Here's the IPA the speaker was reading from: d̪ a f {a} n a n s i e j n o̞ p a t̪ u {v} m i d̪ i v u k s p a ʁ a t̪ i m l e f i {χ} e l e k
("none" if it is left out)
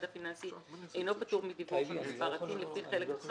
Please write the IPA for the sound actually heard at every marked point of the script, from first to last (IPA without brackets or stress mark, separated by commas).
i, ʁ, χ